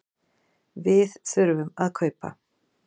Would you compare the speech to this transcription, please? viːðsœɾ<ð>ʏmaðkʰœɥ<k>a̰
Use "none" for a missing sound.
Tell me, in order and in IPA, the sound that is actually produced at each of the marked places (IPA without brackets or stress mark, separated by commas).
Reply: v, p